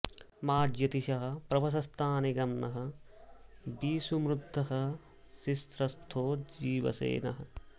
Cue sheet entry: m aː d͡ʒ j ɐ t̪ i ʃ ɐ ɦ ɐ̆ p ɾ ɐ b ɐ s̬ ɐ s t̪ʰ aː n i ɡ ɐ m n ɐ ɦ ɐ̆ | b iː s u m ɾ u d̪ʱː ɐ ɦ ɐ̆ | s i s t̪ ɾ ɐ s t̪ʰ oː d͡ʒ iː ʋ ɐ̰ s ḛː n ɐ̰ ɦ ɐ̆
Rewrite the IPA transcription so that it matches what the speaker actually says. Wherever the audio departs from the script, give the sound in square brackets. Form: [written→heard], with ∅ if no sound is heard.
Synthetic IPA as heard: m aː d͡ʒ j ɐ t̪ i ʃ ɐ ɦ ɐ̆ p ɾ ɐ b ɐ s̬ ɐ s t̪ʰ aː n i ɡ ɐ m n ɐ ɦ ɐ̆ | b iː s u m ɾ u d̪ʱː ɐ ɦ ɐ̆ | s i s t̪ ɾ ɐ s t̪ʰ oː d͡ʒ iː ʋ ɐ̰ s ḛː n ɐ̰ ɦ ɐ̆